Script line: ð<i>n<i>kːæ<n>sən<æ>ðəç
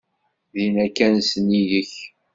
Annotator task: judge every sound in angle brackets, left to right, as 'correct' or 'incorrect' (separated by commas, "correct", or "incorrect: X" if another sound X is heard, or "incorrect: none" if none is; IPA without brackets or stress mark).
correct, incorrect: æ, correct, incorrect: i